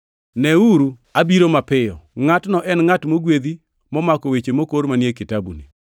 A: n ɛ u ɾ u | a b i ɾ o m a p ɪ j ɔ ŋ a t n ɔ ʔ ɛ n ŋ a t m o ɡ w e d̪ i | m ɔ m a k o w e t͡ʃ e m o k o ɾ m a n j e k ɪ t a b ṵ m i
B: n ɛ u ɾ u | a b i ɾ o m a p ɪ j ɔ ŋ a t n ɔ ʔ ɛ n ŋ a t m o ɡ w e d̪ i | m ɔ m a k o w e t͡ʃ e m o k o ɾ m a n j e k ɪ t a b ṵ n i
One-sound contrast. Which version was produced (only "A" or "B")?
B